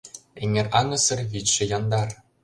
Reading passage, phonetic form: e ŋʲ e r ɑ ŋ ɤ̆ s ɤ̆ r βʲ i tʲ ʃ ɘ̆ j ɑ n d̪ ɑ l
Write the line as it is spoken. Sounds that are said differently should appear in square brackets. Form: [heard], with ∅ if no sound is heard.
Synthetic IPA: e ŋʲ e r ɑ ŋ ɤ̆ s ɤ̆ r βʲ i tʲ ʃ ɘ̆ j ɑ n d̪ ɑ [r]